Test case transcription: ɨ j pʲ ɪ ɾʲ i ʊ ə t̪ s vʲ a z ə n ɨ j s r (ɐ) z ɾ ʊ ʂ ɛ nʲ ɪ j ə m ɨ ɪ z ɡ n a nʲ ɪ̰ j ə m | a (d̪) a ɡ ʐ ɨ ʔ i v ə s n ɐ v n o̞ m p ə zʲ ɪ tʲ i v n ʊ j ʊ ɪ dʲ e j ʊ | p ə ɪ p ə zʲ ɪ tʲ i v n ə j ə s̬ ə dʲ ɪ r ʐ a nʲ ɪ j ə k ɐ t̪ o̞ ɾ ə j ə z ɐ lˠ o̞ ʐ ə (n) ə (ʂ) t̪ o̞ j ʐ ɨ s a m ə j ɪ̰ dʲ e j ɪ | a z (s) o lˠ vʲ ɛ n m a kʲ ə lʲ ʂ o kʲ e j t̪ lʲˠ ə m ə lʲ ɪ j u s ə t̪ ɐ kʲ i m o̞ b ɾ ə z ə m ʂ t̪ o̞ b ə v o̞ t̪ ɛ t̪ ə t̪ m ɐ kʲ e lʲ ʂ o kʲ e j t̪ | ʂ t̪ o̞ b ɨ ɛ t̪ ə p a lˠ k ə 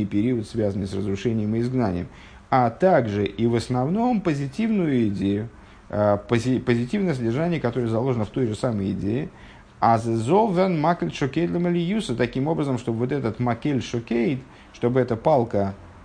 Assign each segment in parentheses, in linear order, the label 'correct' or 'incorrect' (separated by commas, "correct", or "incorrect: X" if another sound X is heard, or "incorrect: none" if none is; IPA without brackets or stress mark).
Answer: incorrect: ə, incorrect: t̪, correct, incorrect: f, incorrect: z